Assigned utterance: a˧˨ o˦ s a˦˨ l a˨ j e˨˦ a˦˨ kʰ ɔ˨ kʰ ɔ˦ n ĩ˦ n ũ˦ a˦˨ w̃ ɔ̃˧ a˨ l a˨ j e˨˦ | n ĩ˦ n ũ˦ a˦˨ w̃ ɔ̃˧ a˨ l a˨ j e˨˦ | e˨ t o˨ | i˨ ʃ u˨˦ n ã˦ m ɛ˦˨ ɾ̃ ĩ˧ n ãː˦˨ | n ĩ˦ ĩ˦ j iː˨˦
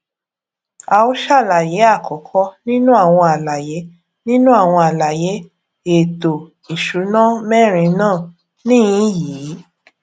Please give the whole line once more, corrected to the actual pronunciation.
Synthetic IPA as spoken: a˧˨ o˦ ʃ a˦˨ l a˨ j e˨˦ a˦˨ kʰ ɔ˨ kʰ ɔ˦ n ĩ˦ n ũ˦ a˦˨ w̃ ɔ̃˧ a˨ l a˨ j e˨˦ | n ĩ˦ n ũ˦ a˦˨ w̃ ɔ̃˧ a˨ l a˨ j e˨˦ | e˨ t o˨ | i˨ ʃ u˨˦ n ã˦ m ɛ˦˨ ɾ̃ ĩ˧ n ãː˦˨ | n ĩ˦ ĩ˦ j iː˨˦